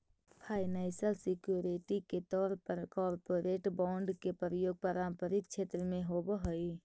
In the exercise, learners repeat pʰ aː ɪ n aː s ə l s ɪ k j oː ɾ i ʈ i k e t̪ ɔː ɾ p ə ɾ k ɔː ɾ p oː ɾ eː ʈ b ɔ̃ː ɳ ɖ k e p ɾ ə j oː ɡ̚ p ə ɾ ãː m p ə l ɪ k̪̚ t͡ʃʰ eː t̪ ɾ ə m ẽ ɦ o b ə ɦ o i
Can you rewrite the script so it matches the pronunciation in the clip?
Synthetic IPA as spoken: pʰ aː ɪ n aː s ə l s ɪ k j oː ɾ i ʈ i k e t̪ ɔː ɾ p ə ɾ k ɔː ɾ p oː ɾ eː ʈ b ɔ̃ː ɳ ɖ k e p ɾ ə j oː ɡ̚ p ə ɾ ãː m p ə ɾ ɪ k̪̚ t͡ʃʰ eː t̪ ɾ ə m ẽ ɦ o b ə ɦ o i